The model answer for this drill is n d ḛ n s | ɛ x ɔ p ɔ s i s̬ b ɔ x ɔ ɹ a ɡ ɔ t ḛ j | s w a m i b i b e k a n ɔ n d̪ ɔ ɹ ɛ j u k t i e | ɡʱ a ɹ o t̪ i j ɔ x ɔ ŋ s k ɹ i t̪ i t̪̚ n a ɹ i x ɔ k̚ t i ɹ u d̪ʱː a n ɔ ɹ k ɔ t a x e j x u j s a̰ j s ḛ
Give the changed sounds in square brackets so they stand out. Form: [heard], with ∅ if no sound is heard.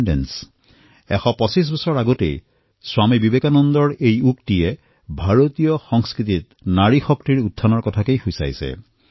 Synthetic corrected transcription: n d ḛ n s | ɛ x ɔ p ɔ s i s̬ b ɔ [s] ɔ ɹ a ɡ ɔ t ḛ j | s w a m i b i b e k a n ɔ n d̪ ɔ ɹ [e] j u k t i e | [bʱ] a ɹ o t̪ i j ɔ x ɔ ŋ s k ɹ i t̪ i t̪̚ n a ɹ i x ɔ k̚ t i ɹ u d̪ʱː a n ɔ ɹ k ɔ [tʰ] a [k] e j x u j s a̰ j s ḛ